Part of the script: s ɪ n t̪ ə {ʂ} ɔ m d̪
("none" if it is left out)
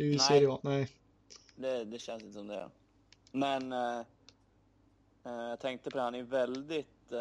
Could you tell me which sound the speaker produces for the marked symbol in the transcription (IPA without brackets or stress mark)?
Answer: s